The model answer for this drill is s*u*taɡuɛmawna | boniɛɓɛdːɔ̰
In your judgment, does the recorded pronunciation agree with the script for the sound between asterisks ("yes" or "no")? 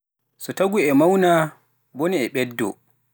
no